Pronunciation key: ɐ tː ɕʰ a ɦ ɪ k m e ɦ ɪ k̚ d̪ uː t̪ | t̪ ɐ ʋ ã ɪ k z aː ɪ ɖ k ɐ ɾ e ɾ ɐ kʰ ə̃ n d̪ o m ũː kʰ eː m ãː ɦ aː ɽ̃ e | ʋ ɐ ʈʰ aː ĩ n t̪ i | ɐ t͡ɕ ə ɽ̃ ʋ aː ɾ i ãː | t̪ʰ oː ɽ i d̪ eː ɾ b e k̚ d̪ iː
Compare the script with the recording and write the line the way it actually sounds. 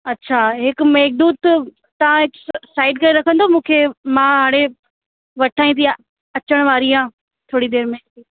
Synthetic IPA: ɐ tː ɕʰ a ɦ ɪ k m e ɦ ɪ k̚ d̪ uː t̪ | t̪ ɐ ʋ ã ɪ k s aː ɪ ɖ k ɐ ɾ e ɾ ɐ kʰ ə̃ n d̪ o m ũː kʰ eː m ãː ɦ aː ɽ̃ e | ʋ ɐ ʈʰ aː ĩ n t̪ i | ɐ t͡ɕ ə ɽ̃ ʋ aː ɾ i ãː | t̪ʰ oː ɽ i d̪ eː ɾ m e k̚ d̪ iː